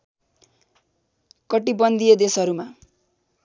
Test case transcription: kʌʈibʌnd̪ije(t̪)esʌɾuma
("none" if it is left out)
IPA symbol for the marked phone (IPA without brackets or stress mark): d̪